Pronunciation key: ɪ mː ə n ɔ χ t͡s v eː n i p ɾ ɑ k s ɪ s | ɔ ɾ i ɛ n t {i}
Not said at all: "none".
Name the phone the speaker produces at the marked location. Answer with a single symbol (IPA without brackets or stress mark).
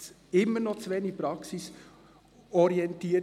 iː